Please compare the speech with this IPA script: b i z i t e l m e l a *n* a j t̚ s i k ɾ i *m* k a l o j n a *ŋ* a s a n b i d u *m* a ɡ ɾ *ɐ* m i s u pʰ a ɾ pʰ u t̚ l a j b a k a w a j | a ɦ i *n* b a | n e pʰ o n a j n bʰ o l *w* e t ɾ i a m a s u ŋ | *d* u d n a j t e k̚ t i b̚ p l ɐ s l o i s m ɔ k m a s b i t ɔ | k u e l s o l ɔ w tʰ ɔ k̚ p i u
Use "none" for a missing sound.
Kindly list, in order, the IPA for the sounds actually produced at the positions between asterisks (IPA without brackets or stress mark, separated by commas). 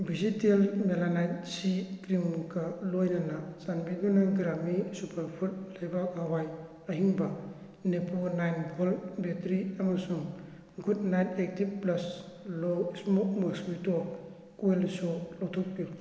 n, m, n, n, a, ŋ, b, ɡ